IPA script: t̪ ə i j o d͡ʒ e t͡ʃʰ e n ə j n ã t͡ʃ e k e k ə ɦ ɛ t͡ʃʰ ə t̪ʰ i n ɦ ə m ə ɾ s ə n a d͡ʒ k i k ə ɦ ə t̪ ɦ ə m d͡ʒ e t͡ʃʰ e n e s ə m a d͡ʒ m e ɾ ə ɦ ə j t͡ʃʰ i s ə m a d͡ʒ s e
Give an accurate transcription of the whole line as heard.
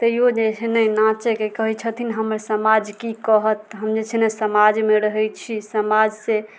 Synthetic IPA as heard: t̪ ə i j o d͡ʒ e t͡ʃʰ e n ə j n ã t͡ʃ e k e k ə ɦ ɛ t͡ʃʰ ə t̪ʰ i n ɦ ə m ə ɾ s ə m a d͡ʒ k i k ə ɦ ə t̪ ɦ ə m d͡ʒ e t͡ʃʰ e n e s ə m a d͡ʒ m e ɾ ə ɦ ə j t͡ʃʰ i s ə m a d͡ʒ s e

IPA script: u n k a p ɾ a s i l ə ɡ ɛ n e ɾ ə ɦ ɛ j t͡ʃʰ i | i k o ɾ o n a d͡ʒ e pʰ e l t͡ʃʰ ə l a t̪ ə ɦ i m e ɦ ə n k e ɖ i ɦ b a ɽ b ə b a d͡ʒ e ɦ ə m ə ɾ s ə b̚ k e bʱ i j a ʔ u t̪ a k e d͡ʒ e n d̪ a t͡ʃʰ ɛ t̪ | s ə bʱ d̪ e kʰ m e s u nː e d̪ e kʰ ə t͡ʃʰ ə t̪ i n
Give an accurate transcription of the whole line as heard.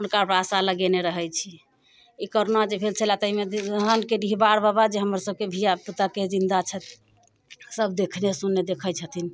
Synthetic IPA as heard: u n k a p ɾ a s a l ə ɡ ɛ n e ɾ ə ɦ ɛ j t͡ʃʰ i | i k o ɾ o n a d͡ʒ e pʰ e l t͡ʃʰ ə l a t̪ ə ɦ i m e ɦ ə n k e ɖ i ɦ b a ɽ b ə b a d͡ʒ e ɦ ə m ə ɾ s ə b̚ k e bʱ i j a p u t̪ a k e d͡ʒ i n d̪ a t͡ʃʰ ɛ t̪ | s ə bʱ d̪ e kʰ n e s u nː e d̪ e kʰ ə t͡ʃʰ ə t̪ i n

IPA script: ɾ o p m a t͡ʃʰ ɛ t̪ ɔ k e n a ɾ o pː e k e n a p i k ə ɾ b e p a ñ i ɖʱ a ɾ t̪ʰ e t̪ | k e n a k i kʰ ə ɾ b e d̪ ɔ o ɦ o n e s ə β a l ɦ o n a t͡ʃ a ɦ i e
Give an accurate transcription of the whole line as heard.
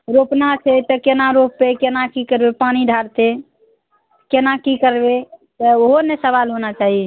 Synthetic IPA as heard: ɾ o p n a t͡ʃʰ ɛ t̪ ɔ k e n a ɾ o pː e k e n a k i k ə ɾ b e p a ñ i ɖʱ a ɾ t̪ e | k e n a k i k ə ɾ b e t̪ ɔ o ɦ o n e s ə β a l ɦ o n a t͡ʃ a ɦ i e

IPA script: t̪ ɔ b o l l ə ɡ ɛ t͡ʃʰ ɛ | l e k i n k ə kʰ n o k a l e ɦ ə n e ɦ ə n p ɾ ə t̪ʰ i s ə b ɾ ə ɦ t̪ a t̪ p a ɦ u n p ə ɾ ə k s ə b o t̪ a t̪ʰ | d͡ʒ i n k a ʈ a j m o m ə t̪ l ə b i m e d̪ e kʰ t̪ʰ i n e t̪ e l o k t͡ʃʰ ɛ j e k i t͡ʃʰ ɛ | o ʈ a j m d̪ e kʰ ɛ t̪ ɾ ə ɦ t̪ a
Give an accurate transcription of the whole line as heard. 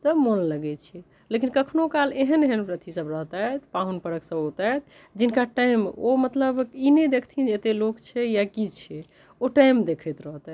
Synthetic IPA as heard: t̪ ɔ m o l l ə ɡ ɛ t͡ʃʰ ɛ | l e k i n k ə kʰ n o k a l e ɦ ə n e ɦ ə n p ɾ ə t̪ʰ i s ə b ɾ ə ɦ t̪ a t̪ p a ɦ u n p ə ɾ ə k s ə b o t̪ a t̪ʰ | d͡ʒ i n k a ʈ a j m o m ə t̪ l ə b i n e d̪ e kʰ t̪ʰ i n e t̪ e l o k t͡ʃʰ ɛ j a k i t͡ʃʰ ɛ | o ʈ a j m d̪ e kʰ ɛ t̪ ɾ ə ɦ t̪ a

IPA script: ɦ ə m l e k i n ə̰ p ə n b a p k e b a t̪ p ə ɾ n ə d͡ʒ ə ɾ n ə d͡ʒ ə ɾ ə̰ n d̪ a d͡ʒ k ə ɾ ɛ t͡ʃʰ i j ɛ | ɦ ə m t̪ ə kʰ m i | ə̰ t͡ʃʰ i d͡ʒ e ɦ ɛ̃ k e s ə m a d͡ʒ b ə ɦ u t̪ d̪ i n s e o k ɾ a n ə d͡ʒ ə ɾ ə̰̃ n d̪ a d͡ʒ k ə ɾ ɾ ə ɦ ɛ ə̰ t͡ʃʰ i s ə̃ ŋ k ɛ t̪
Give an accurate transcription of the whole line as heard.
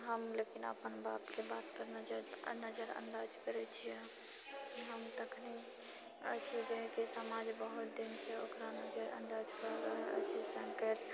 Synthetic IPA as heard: ɦ ə m l e k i n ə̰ p ə n b a p k e b a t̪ p ə ɾ n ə d͡ʒ ə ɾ n ə d͡ʒ ə ɾ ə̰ n d̪ a d͡ʒ k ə ɾ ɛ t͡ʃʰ i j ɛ | ɦ ə m t̪ ə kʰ n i | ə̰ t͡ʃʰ i d͡ʒ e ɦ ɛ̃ k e s ə m a d͡ʒ b ə ɦ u t̪ d̪ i n s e o k ɾ a n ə d͡ʒ ə ɾ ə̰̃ n d̪ a d͡ʒ k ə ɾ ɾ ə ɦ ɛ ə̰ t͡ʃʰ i s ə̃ ŋ k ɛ t̪

